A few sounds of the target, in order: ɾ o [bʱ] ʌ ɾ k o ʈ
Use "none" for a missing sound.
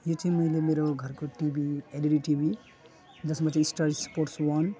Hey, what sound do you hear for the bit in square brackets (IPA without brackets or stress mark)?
ɡʱ